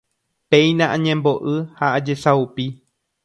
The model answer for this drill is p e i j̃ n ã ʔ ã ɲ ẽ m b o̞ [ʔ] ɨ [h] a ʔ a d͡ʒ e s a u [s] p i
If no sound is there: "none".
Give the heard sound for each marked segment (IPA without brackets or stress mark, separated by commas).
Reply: ʔ, h, none